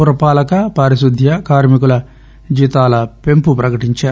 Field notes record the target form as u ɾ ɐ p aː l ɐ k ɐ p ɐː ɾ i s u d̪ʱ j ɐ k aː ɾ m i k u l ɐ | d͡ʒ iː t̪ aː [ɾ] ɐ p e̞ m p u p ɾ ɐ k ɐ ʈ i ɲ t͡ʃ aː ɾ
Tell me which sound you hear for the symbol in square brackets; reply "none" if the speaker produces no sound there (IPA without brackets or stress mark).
l